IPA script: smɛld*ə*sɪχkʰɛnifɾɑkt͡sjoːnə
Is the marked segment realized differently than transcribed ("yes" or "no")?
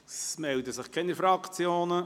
no